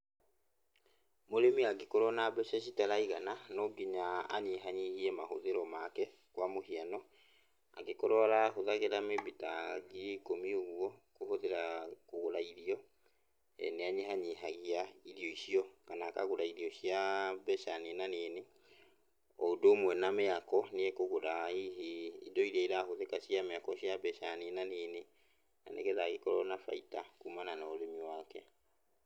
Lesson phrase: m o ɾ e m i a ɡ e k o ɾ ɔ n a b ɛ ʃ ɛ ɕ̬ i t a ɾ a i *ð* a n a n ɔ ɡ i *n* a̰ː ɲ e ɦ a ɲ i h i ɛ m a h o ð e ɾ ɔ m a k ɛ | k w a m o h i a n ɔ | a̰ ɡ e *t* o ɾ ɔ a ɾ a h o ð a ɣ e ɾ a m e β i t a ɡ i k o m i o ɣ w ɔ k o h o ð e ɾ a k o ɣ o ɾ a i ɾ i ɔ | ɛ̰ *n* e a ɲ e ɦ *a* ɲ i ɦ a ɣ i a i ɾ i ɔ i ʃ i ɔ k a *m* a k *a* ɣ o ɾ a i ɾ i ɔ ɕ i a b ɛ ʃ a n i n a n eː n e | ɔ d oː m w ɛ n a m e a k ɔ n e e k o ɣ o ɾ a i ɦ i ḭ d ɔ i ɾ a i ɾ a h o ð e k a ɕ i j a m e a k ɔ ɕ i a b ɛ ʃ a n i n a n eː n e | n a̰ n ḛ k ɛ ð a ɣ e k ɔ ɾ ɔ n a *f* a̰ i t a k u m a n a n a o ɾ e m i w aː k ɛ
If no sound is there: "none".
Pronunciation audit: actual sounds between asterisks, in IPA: ɣ, ɲ, k, n, a, n, a, f

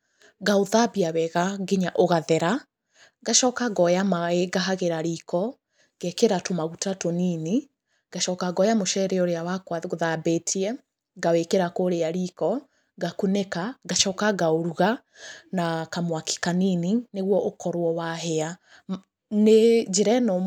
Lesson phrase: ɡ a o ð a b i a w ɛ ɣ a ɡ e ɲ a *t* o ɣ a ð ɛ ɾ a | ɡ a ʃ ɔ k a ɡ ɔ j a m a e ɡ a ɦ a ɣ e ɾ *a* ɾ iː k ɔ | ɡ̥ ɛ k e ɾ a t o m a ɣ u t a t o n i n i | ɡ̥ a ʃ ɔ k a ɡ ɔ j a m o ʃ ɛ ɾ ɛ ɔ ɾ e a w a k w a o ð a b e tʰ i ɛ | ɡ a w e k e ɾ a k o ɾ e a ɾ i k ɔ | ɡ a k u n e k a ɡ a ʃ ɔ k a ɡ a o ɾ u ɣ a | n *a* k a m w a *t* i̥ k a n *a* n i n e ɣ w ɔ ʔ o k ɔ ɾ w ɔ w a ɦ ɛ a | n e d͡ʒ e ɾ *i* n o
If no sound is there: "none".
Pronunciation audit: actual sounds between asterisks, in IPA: ʔ, a, a, k, i, ɛ

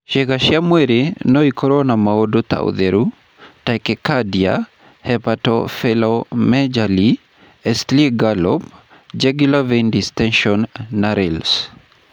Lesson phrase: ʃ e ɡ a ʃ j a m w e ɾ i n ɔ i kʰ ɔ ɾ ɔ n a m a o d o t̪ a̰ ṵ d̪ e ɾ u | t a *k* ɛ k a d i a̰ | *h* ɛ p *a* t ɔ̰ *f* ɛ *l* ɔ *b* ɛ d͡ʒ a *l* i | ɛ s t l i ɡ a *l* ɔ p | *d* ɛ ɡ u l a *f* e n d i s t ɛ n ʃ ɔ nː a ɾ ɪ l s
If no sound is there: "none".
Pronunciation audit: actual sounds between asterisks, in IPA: k, h, a, f, l, m, l, l, d͡ʒ, v

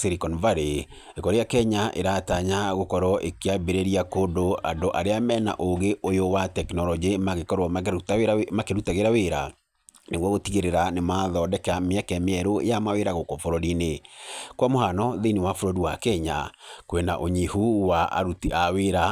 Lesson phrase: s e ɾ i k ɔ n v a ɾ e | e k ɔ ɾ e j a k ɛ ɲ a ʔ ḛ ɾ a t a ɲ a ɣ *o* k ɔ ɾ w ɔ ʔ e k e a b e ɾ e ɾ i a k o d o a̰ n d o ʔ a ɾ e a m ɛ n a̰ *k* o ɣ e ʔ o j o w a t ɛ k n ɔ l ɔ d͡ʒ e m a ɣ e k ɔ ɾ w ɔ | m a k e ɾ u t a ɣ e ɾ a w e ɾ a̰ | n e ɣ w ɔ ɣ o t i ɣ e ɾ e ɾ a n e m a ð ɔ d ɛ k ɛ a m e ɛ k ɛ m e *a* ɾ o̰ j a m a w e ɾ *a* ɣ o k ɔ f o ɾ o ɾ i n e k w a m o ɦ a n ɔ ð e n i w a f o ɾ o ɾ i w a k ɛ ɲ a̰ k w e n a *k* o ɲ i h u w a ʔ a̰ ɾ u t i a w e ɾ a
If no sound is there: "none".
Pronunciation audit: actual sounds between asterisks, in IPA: o, ʔ, ɛ, a, ʔ

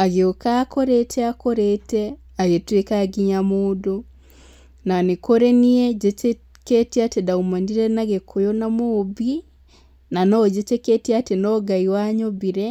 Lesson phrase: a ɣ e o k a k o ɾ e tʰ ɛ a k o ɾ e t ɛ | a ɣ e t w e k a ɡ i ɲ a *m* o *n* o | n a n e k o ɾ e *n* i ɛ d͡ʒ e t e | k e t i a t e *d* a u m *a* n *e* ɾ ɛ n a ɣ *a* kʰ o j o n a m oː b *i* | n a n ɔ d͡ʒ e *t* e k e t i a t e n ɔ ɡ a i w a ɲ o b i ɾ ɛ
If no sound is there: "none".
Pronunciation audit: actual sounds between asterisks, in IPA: m, d, n, d, a, i, e, i, t

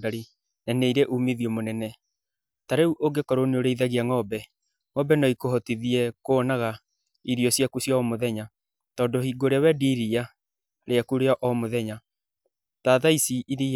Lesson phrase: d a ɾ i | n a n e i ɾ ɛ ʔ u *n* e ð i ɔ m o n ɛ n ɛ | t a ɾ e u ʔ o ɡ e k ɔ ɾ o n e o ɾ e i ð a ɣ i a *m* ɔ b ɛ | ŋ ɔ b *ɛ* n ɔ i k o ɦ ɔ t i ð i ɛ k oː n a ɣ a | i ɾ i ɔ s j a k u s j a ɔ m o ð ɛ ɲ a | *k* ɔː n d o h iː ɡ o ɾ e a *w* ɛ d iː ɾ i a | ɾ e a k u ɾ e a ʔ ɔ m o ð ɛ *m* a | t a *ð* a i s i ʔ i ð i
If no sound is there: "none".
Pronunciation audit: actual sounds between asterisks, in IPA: m, ŋ, ɛ, t, w, ɲ, ð

